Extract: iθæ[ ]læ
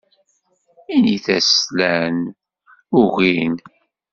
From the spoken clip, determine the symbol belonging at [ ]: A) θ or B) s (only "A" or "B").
B